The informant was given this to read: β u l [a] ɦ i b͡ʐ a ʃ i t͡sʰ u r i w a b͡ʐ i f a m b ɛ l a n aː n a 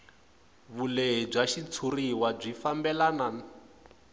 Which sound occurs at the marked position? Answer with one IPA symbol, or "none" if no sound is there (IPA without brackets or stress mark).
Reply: e